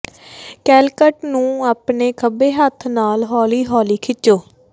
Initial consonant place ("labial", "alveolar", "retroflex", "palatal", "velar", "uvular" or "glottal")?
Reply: velar